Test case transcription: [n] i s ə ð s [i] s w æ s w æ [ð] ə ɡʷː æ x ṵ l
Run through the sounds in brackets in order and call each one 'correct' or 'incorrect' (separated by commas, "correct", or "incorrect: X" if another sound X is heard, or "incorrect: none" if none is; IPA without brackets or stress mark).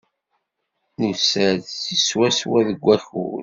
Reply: correct, correct, correct